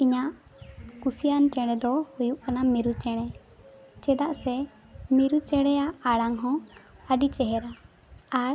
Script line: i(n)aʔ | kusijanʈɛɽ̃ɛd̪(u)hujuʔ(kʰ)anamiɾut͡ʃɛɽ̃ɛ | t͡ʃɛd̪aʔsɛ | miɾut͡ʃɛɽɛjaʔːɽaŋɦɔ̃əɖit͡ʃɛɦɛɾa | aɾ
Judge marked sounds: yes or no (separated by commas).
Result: no, no, no